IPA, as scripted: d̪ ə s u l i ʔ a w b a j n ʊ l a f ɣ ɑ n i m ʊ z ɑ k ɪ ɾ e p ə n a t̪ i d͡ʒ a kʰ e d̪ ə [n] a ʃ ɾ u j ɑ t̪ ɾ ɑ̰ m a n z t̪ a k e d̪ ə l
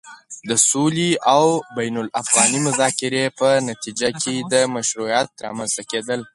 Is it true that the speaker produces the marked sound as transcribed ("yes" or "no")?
no